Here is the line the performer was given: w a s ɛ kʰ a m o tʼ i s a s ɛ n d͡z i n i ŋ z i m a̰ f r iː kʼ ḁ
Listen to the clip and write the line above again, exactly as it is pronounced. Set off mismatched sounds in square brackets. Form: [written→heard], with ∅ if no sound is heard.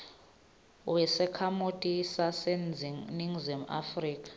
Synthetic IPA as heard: w [a→ɛ] s ɛ kʰ a m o tʼ i s a s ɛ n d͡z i n i ŋ z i m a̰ f r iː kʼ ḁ